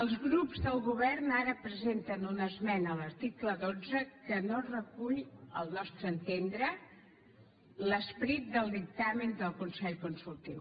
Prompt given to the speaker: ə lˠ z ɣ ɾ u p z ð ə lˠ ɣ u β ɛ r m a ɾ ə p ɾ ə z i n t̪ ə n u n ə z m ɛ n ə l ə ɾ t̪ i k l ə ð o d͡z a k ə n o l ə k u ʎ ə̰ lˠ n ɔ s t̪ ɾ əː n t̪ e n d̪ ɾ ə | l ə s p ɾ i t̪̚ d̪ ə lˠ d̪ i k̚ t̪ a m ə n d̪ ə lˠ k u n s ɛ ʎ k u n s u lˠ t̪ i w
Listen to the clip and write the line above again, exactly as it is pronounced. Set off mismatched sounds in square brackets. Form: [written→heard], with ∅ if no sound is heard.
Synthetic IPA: ə lˠ z ɣ ɾ u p z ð ə lˠ ɣ u β ɛ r [m→n] a ɾ ə p ɾ ə z [i→e] n t̪ ə n u n ə z m ɛ n ə l ə ɾ t̪ i k l ə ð o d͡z [a→ə] k ə n o [l→r] ə k u ʎ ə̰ lˠ n ɔ s t̪ ɾ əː n t̪ e n d̪ ɾ ə | l ə s p ɾ i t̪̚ d̪ ə lˠ d̪ i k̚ t̪ a m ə n d̪ ə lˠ k u n s ɛ ʎ k u n s u lˠ t̪ i w